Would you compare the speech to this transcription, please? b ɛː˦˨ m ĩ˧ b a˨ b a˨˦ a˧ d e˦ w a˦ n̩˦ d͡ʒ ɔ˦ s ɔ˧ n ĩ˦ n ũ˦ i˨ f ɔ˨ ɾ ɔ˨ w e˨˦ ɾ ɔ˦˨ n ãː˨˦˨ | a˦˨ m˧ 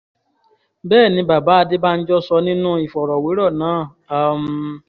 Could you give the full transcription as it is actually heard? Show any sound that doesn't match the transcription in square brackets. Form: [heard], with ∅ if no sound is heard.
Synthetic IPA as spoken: b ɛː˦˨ [n] ĩ˧ b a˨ b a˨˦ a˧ d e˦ [b] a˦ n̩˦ d͡ʒ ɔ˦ s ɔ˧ n ĩ˦ n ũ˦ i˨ f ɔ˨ ɾ ɔ˨ w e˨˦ ɾ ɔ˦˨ n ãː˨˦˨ | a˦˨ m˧